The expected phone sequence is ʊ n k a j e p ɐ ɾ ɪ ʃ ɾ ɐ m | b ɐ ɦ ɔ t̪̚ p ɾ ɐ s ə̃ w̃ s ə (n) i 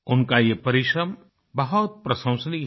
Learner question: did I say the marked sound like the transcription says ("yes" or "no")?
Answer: yes